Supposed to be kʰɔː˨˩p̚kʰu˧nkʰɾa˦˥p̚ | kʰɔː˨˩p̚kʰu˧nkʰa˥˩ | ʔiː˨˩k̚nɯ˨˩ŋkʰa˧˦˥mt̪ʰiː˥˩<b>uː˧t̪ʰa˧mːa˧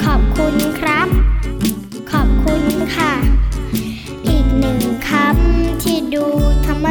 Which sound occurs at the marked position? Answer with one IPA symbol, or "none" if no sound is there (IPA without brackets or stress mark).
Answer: d